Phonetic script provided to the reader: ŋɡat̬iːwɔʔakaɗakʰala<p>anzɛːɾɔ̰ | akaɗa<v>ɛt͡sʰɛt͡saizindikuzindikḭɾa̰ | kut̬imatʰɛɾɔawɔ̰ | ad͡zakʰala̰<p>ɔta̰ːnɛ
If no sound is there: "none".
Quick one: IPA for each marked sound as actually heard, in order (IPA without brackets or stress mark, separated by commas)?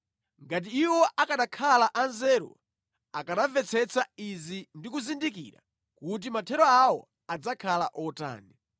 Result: ʔ, v, ʔ